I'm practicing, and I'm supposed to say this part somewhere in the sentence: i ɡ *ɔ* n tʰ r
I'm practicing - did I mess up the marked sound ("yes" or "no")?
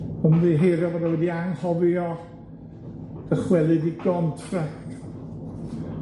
no